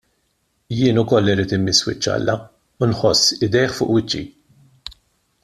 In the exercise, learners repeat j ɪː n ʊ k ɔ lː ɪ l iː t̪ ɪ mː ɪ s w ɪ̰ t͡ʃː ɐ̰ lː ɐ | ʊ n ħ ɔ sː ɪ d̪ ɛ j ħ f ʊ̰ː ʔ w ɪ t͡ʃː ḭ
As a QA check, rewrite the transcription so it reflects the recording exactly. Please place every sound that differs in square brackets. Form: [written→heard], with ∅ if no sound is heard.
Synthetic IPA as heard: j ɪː n ʊ k ɔ lː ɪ [l→ɾ] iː t̪ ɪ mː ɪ s w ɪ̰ t͡ʃː ɐ̰ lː ɐ | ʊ n ħ ɔ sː ɪ d̪ ɛ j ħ f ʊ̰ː ʔ w ɪ t͡ʃː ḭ